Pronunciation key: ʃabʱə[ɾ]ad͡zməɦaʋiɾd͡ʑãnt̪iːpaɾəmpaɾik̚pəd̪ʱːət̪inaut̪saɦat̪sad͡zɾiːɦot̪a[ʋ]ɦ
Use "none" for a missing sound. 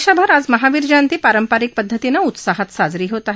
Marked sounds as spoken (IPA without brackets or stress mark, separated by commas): ɾ, none